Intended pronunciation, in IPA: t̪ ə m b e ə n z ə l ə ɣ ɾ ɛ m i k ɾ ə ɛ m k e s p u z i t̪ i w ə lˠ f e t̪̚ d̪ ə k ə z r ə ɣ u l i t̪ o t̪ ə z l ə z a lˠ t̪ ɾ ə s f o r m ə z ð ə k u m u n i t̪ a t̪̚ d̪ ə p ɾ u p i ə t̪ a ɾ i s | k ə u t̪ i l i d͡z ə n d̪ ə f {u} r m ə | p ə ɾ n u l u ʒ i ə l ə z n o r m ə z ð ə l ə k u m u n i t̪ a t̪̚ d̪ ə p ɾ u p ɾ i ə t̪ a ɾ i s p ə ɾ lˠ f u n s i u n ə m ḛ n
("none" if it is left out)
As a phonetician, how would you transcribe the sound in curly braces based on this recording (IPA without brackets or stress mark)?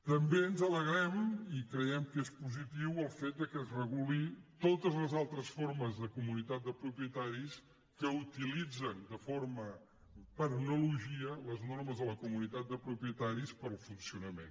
o